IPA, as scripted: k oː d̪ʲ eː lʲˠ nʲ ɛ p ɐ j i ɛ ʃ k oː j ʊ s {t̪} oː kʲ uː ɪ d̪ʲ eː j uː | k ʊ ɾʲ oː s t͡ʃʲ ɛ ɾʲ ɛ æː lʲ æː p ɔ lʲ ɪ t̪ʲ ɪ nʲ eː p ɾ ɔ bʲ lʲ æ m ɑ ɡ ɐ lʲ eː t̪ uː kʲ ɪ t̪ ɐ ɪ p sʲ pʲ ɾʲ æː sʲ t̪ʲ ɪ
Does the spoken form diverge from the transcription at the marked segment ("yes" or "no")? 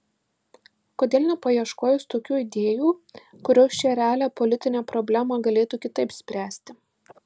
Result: no